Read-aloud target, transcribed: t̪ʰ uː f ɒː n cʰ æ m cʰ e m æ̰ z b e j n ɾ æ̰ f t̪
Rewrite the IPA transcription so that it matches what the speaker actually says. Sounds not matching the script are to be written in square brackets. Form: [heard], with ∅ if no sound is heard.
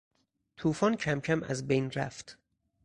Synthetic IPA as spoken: t̪ʰ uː f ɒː n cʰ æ m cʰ [æ] m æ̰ z b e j n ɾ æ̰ f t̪